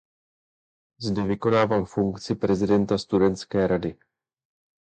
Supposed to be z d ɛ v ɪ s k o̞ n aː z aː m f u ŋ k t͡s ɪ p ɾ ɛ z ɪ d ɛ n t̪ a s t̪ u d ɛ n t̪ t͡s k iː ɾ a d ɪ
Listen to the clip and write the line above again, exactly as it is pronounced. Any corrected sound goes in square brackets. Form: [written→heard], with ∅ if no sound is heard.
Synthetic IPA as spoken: z d ɛ v ɪ [s→∅] k o̞ n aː [z→v] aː m f u ŋ k t͡s ɪ p ɾ ɛ z ɪ d ɛ n t̪ a s t̪ u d ɛ n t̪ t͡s k [iː→ɛː] ɾ a d ɪ